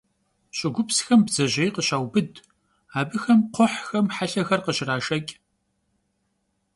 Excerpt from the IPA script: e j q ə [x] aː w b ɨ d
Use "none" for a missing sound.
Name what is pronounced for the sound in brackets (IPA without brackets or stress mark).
ɕ